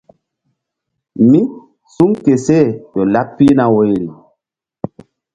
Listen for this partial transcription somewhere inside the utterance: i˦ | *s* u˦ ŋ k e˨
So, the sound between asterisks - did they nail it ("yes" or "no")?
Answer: yes